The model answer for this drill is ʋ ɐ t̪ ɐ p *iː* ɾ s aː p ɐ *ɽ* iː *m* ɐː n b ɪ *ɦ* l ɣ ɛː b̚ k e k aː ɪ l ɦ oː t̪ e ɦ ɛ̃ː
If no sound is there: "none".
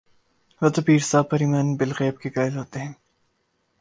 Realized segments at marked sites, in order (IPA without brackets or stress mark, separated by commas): iː, ɾ, m, none